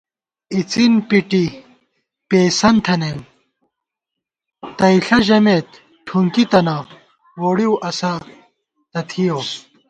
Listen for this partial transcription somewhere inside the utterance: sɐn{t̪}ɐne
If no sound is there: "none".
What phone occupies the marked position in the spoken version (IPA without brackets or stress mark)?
t̪ʰ